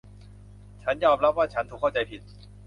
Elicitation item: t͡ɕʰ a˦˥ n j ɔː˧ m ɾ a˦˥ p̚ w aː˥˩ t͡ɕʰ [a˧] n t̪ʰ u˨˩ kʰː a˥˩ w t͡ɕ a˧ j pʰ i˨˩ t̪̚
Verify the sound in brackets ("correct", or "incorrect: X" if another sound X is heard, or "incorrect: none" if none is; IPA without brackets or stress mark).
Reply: incorrect: a˦˥